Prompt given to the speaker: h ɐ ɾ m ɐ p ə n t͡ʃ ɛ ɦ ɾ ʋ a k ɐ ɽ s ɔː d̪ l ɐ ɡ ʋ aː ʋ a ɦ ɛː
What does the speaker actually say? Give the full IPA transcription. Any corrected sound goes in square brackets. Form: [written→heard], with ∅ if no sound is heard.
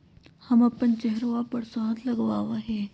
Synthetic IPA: h ɐ [ɾ→∅] m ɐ p ə n t͡ʃ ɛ ɦ ɾ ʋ a [k→p] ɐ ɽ s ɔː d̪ l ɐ ɡ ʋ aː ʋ a ɦ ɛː